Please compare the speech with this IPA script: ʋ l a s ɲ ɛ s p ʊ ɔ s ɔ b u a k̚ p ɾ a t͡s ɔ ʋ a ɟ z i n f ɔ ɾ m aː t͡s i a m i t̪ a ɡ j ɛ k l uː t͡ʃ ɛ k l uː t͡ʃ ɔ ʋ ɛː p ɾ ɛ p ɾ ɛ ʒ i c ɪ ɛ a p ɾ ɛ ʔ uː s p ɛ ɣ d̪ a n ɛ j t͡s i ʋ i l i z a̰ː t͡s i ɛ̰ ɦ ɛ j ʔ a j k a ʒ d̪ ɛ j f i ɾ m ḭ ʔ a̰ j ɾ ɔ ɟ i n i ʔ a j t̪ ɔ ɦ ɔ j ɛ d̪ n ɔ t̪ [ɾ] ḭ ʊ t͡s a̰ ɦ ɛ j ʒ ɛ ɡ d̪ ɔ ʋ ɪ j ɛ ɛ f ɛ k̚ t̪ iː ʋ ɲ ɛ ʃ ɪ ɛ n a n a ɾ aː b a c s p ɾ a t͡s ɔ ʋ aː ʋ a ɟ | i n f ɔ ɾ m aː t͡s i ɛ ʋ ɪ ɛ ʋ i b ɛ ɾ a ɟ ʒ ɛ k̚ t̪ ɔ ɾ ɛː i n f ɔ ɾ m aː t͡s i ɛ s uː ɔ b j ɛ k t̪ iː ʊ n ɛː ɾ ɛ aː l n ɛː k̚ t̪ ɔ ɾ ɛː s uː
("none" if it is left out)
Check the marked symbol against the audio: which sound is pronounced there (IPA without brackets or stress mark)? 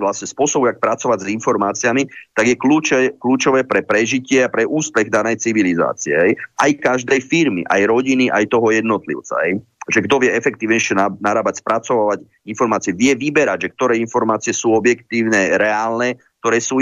l